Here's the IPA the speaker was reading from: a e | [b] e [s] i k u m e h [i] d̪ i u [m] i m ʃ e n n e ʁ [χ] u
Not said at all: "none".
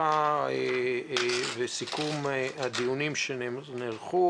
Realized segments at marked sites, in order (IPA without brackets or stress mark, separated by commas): v, s, a, n, χ